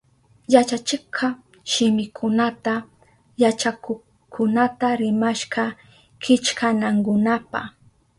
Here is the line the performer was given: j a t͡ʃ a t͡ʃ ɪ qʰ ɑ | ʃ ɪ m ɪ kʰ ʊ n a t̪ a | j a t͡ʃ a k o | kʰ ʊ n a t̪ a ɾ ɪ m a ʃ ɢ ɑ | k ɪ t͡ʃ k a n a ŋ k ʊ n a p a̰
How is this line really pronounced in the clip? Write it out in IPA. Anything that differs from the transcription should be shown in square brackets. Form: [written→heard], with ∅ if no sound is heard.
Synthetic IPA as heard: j a t͡ʃ a t͡ʃ ɪ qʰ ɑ | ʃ ɪ m ɪ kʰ ʊ n a t̪ a | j a t͡ʃ a k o | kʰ ʊ n a t̪ a ɾ ɪ m a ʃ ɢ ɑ | k ɪ t͡ʃ k a n a ŋ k ʊ n a p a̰

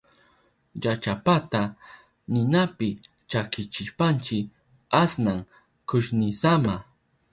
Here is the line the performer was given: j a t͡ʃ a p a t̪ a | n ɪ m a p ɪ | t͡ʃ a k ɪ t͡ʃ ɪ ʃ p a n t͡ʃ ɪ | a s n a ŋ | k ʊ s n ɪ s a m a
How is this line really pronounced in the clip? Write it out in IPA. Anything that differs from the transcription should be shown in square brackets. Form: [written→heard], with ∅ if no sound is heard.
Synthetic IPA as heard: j a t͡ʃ a p a t̪ a | n ɪ [m→n] a p ɪ | t͡ʃ a k ɪ t͡ʃ ɪ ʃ p a n t͡ʃ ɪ | a s n a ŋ | k ʊ [s→ʃ] n ɪ s a m a

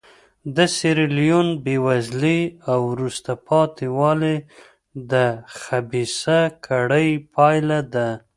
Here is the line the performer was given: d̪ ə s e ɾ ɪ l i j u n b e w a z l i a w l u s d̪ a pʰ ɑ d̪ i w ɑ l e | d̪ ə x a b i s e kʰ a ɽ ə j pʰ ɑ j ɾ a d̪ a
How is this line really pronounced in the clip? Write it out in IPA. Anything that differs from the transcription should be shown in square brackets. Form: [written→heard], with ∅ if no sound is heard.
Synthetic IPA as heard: d̪ ə s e ɾ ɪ l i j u n b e w a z l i a w [l→ɾ] u s [d̪→t̪] a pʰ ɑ [d̪→t̪] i w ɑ l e | d̪ ə x a b i s [e→a] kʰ a ɽ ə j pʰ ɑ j [ɾ→l] a d̪ a

